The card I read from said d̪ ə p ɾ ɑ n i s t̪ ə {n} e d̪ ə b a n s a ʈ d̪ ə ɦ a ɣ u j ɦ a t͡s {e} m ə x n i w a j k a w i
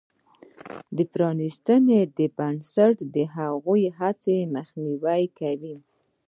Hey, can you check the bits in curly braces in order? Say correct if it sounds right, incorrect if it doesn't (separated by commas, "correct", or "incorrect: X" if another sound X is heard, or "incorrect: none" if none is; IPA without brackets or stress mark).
correct, correct